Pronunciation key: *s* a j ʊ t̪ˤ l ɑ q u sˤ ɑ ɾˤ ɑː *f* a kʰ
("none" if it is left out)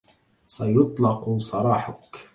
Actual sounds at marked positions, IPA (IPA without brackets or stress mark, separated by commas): s, ħ